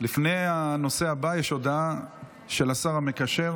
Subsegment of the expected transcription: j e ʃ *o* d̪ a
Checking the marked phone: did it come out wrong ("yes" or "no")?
no